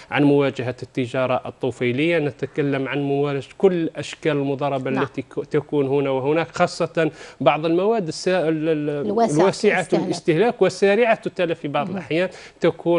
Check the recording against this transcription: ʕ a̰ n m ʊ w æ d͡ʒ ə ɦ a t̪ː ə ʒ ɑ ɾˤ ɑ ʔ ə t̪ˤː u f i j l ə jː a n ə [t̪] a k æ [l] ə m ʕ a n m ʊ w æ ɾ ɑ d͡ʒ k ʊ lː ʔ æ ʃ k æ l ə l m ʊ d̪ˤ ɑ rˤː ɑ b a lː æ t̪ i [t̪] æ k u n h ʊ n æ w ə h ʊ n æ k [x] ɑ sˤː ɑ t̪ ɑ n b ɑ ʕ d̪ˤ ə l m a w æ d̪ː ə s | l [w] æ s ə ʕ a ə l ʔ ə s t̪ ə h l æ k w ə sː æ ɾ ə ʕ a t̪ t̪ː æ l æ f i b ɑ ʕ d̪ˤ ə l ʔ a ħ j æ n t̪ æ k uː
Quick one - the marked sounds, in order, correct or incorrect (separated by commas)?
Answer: correct, incorrect, correct, correct, correct